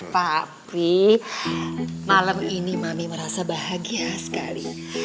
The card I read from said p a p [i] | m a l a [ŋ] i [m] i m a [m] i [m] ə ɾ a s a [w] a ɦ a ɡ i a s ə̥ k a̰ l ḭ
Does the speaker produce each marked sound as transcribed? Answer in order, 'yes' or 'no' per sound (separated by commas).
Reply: yes, no, no, yes, yes, no